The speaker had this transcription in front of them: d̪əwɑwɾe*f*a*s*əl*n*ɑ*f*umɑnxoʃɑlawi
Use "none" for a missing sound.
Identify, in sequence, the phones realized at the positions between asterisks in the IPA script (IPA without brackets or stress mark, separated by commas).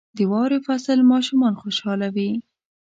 f, s, m, ʃ